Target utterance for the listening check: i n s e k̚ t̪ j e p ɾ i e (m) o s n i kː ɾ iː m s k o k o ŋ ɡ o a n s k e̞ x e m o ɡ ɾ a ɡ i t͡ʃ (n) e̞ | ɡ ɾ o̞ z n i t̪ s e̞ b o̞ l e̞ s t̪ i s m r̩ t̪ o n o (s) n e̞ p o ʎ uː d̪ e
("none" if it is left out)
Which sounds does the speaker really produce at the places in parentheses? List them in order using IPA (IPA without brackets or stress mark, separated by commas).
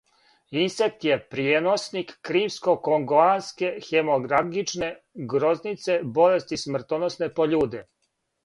n, n, s